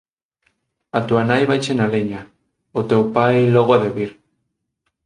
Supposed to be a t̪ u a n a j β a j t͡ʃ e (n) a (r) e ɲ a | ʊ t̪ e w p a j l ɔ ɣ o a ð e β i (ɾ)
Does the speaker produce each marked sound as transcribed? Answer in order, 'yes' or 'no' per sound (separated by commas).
yes, no, yes